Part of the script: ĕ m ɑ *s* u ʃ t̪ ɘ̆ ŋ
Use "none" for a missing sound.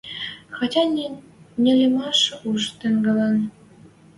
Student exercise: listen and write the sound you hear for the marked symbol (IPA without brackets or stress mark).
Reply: ʃ